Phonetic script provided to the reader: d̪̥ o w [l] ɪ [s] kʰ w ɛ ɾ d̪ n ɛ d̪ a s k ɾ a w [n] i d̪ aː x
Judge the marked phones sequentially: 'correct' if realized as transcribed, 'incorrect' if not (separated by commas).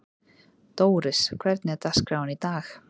incorrect, correct, correct